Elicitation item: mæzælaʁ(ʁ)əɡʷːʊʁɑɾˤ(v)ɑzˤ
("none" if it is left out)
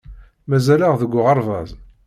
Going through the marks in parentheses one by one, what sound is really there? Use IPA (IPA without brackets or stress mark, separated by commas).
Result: ð, v